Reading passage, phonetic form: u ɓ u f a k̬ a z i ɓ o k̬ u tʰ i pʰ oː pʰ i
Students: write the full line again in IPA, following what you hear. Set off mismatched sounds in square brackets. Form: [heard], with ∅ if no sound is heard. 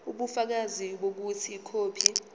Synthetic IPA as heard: u ɓ u f a k̬ a z i ɓ o k̬ u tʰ i [kʰ] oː pʰ i